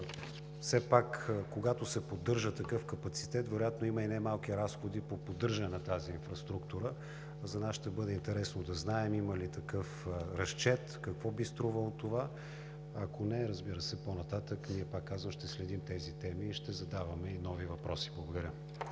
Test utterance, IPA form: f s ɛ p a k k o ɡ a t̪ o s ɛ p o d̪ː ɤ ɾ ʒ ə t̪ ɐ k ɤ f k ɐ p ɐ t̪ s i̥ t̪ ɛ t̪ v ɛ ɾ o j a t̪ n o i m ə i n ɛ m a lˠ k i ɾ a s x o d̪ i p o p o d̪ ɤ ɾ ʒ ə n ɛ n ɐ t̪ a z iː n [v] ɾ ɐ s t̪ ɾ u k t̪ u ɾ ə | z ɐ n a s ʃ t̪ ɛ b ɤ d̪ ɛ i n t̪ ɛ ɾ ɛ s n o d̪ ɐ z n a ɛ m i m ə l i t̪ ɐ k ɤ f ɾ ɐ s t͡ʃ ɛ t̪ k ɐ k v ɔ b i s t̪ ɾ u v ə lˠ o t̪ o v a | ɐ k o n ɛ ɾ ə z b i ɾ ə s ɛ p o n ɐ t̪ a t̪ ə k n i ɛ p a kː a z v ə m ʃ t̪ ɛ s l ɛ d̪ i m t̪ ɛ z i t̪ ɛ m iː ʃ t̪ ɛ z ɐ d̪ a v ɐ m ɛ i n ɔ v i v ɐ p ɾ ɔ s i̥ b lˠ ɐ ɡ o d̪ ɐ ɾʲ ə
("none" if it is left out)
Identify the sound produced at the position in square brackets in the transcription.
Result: f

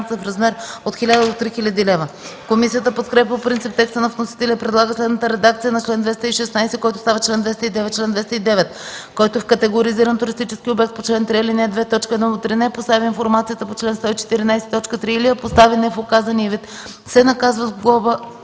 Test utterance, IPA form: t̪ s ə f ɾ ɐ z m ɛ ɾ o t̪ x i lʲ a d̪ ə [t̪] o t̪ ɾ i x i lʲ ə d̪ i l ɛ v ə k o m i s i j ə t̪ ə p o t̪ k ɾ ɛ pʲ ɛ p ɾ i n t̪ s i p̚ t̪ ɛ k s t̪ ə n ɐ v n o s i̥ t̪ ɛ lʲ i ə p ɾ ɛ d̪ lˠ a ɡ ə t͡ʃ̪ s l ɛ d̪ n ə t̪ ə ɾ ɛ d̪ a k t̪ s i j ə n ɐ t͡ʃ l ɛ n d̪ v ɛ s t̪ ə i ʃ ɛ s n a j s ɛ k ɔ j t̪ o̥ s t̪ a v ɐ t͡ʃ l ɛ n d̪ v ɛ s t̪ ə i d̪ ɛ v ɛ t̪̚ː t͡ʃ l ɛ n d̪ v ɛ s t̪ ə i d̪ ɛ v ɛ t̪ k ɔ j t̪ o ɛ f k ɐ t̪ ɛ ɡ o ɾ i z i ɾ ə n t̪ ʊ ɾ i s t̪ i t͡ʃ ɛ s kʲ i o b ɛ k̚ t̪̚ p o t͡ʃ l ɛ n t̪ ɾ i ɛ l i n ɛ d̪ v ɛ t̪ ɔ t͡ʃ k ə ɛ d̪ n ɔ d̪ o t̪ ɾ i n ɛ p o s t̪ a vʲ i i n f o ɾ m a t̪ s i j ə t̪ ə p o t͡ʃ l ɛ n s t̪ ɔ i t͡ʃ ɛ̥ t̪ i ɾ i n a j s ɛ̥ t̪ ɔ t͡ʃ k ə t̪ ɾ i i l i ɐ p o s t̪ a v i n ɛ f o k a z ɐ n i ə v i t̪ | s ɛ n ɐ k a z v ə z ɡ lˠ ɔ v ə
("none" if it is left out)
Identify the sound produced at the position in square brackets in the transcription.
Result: d̪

